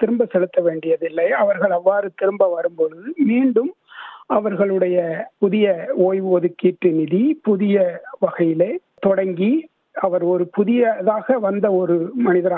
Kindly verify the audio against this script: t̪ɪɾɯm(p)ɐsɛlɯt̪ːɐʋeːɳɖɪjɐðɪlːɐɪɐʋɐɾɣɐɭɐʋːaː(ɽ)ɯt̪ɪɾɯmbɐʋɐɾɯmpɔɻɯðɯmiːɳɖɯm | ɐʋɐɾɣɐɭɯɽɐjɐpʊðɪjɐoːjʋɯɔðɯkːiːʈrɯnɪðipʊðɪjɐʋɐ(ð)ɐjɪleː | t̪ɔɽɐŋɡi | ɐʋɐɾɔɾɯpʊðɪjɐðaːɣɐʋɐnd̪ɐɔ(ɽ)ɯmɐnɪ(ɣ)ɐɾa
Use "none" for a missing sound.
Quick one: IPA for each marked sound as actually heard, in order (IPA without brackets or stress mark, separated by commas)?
b, ɾ, ɣ, ɾ, ð